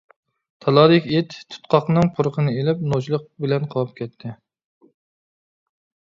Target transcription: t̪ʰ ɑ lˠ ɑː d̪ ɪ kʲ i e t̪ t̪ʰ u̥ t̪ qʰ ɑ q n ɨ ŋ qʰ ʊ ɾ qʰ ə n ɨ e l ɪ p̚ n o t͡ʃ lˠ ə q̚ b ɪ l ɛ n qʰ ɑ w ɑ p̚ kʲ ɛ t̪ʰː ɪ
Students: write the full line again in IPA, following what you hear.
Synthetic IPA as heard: t̪ʰ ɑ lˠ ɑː d̪ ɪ kʲ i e t̪ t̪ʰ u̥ t̪ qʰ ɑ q n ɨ ŋ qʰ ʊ ɾ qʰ ə n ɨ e l ɪ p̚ n o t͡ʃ lˠ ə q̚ b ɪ l ɛ n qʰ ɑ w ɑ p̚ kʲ ɛ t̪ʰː ɪ

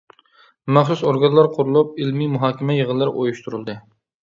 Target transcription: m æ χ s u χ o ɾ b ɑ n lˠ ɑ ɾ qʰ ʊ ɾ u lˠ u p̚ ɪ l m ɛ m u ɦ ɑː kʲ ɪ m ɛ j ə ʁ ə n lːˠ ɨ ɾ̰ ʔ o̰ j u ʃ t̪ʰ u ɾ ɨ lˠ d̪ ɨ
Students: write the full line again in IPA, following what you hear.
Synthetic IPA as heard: m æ χ s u s o ɾ ɡ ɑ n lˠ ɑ ɾ qʰ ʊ ɾ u lˠ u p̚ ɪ l m i m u ɦ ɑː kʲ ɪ m ɛ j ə ʁ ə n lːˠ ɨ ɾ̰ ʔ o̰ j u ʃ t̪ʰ u ɾ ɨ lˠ d̪ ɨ

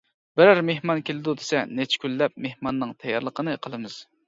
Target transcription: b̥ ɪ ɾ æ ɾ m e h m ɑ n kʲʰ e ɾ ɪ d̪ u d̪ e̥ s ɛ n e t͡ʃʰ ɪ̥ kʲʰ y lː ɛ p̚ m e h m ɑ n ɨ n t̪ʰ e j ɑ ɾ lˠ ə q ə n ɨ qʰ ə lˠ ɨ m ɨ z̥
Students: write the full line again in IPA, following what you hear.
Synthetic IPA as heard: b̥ ɪ ɾ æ ɾ m e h m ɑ n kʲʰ e l ɪ d̪ u d̪ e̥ s ɛ n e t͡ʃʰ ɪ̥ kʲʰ y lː ɛ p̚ m e h m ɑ nː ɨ ŋ t̪ʰ ɛ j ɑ ɾ lˠ ə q ə n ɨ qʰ ə lˠ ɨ m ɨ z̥

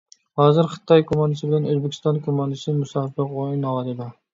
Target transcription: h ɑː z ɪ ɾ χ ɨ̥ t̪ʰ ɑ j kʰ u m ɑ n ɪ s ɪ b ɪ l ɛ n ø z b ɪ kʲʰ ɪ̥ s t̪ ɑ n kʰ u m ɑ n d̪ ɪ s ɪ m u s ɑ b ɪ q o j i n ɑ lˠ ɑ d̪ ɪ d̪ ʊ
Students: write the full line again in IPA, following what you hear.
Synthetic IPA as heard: h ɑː z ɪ ɾ χ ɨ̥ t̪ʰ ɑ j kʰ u m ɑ n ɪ s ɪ b ɪ l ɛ n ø z b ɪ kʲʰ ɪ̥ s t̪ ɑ n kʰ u m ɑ n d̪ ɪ s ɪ m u s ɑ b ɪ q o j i n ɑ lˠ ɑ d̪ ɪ d̪ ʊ

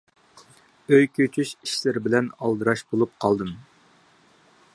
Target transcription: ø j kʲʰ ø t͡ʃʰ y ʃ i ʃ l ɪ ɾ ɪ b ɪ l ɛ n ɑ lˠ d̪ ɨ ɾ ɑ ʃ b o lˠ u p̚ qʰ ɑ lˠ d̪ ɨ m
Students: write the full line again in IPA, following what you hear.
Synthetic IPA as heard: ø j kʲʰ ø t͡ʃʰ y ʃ i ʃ l ɪ ɾ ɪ b ɪ l ɛ n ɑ lˠ d̪ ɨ ɾ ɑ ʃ b o lˠ u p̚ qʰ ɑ lˠ d̪ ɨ m

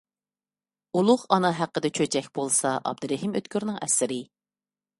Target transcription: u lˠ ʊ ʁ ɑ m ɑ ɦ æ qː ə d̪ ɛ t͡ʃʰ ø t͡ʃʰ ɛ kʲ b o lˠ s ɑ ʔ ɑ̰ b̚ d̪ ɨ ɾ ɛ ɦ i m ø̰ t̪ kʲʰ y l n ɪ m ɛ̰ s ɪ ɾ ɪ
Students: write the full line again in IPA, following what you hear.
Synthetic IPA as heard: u lˠ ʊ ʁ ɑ n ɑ ɦ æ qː ə d̪ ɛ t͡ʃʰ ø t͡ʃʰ ɛ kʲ b o lˠ s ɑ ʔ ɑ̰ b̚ d̪ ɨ ɾ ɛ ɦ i m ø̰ t̪ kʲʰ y ɾ n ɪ ŋ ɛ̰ s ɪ ɾ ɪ

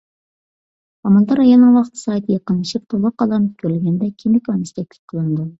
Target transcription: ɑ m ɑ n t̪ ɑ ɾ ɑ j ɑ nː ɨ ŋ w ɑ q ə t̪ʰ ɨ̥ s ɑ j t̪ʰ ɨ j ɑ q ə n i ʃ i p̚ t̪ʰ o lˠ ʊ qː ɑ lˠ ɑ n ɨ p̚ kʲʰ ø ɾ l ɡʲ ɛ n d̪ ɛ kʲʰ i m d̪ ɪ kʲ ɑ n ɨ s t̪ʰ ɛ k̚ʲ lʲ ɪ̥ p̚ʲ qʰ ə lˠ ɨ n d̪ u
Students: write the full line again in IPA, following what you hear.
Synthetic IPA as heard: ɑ m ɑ n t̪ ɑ ɾ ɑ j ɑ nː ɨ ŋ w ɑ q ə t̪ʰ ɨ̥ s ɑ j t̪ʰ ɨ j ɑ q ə n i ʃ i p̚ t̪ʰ o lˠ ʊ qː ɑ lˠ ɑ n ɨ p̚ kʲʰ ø ɾ l ɡʲ ɛ n d̪ ɛ kʲʰ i m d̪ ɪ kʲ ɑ n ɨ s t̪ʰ ɛ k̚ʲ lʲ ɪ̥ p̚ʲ qʰ ə lˠ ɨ n d̪ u

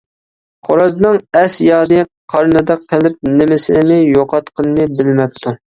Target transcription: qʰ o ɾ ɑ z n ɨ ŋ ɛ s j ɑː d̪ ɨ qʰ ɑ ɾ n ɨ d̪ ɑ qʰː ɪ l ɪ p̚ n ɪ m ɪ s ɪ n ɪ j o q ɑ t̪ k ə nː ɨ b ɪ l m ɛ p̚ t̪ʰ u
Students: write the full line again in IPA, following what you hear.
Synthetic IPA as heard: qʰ o ɾ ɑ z n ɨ ŋ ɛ s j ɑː d̪ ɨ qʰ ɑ ɾ n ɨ d̪ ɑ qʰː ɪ l ɪ p̚ n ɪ m ɪ s ɪ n ɪ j o q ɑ t̪ q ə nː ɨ b ɪ l m ɛ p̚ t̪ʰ u

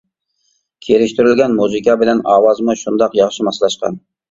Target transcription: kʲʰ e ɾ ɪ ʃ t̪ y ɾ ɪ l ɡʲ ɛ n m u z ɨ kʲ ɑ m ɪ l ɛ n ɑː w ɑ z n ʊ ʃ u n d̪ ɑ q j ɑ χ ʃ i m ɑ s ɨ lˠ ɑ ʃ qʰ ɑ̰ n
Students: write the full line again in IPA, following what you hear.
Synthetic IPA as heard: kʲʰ e ɾ ɪ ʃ t̪ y ɾ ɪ l ɡʲ ɛ n m u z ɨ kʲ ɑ b ɪ l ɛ n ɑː w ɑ z m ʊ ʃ u n d̪ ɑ q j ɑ χ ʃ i m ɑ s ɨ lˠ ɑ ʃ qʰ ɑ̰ n

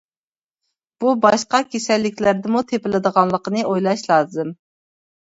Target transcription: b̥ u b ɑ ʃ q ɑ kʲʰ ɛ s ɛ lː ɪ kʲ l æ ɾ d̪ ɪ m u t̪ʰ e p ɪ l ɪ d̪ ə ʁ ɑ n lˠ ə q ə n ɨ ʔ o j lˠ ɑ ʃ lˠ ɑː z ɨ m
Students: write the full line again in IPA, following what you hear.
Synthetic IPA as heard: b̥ u b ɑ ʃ q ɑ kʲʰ e s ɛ lː ɪ kʲ l æ ɾ d̪ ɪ m u t̪ʰ e p ɪ l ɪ d̪ ə ʁ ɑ n lˠ ə q ə n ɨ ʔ o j lˠ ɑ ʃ lˠ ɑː z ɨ m

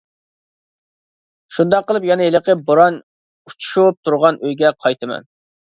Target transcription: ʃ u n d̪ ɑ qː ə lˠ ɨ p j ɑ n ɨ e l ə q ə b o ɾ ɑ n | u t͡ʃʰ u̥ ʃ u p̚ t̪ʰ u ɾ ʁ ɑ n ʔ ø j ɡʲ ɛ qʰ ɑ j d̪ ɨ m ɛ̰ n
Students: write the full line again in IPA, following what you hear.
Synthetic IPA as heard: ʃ u n d̪ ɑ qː ə lˠ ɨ p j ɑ n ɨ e l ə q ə b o ɾ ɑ n | u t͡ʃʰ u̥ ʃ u p̚ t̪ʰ u ɾ ʁ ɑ n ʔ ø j ɡʲ ɛ qʰ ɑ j t̪ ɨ m ɛ̰ n

